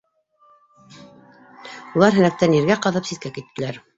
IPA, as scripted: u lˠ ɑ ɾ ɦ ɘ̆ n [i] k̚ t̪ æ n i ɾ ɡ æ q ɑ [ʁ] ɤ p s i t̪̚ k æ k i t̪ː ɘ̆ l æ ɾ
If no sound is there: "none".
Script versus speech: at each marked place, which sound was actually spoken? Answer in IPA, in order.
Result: æ, ð

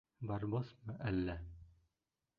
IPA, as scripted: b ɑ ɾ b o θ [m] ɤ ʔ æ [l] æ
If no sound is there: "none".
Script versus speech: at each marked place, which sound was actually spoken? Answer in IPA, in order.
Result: m, lː

